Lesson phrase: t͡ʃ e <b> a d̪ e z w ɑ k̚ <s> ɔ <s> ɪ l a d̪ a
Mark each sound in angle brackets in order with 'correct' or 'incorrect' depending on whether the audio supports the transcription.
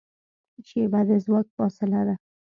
correct, incorrect: f, correct

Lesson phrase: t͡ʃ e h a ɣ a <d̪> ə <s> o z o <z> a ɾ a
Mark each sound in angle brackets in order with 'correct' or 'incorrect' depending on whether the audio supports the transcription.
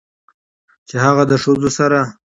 correct, incorrect: ʂ, incorrect: s

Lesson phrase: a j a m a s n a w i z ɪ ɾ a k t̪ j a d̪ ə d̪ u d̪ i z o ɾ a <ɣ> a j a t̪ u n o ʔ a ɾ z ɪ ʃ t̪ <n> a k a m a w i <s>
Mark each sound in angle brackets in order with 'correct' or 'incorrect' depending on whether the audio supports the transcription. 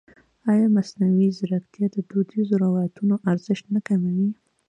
incorrect: w, correct, incorrect: none

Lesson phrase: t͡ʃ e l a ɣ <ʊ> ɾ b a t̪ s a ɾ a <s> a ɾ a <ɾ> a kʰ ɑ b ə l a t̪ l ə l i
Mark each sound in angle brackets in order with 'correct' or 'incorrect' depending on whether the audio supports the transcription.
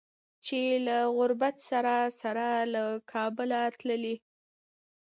correct, correct, incorrect: l

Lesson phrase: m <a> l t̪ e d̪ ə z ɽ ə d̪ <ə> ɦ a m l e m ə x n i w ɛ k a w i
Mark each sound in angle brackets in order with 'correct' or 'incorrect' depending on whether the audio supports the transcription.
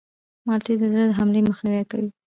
incorrect: ɑ, correct

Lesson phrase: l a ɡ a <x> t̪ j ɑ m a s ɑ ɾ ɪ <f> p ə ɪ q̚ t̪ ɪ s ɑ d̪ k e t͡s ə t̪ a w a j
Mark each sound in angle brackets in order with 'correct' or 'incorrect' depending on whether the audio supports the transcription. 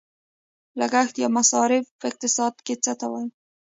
correct, correct

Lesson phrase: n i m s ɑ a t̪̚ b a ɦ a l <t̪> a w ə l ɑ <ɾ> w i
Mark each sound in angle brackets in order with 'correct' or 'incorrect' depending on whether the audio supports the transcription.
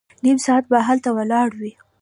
correct, incorrect: ɽ

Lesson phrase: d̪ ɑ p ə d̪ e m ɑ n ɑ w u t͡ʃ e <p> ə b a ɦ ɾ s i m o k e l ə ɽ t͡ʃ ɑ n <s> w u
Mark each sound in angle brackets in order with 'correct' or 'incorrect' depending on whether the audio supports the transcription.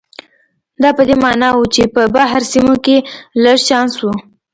correct, correct

